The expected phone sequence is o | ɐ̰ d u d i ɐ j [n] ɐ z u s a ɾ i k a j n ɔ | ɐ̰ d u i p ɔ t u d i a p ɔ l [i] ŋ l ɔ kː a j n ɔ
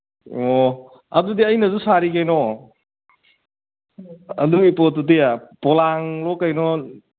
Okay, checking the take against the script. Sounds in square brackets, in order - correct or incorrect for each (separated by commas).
correct, incorrect